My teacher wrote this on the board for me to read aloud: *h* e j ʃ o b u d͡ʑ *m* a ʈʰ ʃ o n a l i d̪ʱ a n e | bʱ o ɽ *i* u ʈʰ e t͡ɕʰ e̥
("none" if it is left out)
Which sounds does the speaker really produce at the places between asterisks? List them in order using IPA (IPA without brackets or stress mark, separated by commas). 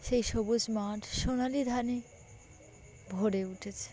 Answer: ʃ, m, e